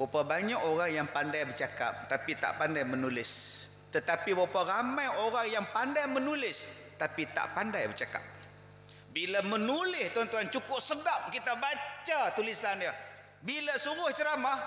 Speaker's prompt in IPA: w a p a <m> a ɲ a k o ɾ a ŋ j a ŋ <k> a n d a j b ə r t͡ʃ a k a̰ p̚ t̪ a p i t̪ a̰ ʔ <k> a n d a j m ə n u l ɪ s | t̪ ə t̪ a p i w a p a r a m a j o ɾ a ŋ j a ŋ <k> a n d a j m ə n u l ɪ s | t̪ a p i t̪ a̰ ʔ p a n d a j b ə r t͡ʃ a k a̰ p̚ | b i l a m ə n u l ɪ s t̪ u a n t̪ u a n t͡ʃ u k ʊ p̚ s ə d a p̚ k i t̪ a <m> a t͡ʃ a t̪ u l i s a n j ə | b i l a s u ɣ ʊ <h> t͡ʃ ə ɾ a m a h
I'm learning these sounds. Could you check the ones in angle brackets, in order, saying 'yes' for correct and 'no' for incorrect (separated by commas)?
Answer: no, no, no, no, no, yes